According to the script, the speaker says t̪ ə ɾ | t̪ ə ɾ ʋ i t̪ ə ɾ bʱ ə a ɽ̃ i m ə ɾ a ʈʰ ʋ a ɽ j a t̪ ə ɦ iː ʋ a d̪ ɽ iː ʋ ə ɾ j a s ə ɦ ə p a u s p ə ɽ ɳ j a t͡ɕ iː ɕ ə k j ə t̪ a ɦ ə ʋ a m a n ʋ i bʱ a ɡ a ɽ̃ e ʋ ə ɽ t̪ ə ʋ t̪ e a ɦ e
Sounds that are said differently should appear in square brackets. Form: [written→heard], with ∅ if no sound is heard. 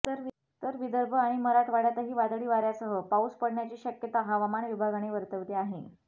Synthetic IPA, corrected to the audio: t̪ ə ɾ | t̪ ə ɾ ʋ i [t̪→d̪] ə ɾ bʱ ə a ɽ̃ i m ə ɾ a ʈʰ ʋ a ɽ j a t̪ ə ɦ iː ʋ a d̪ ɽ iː ʋ [ə→a] ɾ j a s ə ɦ ə p a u s p ə ɽ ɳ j a t͡ɕ iː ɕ ə k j ə t̪ a ɦ [ə→a] ʋ a m a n ʋ i bʱ a ɡ a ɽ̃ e ʋ ə [ɽ→ɾ] t̪ ə ʋ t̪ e a ɦ e